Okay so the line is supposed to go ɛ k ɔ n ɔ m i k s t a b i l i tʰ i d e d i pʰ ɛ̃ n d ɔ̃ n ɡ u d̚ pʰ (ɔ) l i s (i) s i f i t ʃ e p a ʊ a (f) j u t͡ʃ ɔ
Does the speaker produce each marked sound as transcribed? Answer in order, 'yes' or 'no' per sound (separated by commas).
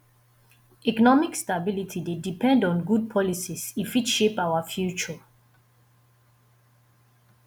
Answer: yes, yes, yes